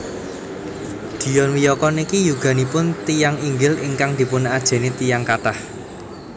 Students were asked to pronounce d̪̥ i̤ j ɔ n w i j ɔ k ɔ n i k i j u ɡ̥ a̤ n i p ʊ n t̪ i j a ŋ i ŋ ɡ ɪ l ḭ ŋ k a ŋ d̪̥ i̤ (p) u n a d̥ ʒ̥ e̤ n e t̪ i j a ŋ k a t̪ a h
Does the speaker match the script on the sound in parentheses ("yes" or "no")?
yes